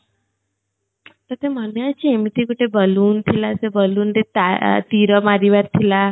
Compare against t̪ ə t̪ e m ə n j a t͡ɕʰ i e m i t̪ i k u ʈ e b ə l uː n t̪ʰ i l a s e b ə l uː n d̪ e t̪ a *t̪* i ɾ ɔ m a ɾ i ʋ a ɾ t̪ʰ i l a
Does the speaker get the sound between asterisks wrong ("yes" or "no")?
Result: no